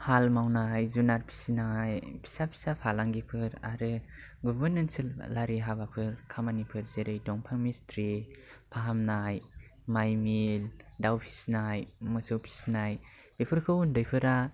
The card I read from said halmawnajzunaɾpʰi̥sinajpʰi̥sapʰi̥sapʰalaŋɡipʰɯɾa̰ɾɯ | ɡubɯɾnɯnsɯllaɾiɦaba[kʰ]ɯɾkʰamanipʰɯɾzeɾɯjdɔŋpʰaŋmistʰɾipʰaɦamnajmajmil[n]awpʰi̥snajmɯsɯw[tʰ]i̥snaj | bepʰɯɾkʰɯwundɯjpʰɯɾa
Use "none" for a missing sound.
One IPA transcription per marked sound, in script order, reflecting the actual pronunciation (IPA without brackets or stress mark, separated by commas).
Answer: pʰ, d, pʰ